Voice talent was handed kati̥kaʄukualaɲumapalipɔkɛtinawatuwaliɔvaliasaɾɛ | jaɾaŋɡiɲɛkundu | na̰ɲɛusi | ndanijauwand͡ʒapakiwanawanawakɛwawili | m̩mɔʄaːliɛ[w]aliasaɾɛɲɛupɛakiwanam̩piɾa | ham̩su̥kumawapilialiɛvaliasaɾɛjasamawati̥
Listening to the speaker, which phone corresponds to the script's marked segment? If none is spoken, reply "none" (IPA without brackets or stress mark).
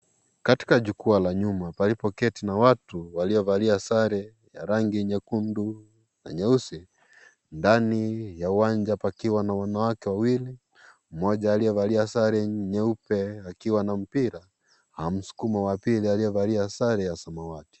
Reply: v